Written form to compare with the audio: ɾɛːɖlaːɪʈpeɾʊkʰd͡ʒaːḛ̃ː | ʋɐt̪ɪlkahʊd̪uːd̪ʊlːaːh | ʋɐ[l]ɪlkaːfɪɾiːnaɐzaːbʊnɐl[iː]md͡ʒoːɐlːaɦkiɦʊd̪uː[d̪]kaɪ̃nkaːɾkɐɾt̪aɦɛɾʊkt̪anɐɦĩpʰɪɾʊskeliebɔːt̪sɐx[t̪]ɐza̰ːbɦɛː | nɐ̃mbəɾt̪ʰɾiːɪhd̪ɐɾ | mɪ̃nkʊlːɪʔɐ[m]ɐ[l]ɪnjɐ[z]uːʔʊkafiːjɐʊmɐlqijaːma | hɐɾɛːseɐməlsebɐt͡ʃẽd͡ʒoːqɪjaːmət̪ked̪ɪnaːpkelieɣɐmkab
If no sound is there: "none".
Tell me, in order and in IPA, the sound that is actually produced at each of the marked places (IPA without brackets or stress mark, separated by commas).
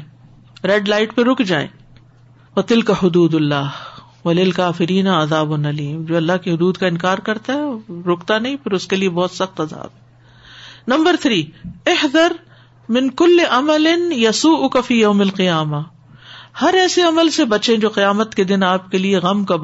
l, iː, d̪, t̪, m, l, s